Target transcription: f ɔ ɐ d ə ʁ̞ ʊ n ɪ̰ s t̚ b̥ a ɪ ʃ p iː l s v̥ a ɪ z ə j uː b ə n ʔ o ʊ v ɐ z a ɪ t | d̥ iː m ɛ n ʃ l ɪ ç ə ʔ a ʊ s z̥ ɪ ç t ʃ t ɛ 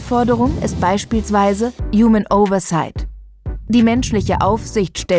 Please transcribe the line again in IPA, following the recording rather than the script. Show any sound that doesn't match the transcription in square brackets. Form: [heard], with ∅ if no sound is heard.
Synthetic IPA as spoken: f ɔ ɐ d ə ʁ̞ ʊ [ŋ] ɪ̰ s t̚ b̥ a ɪ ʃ p iː l s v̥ a ɪ z ə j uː [m] ə n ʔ o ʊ v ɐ [s] a ɪ t | d̥ iː m ɛ n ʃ l ɪ ç ə ʔ a ʊ [f] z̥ ɪ ç t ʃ t ɛ